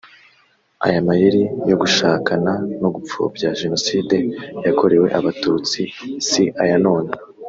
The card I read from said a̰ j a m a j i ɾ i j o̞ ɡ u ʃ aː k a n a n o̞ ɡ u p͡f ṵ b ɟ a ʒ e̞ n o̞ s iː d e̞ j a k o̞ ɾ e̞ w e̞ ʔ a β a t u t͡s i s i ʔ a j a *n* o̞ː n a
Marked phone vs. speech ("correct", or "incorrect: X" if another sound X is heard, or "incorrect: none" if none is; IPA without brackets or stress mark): correct